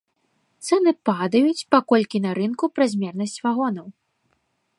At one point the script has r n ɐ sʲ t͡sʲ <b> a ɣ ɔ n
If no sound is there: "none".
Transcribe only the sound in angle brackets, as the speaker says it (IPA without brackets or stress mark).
v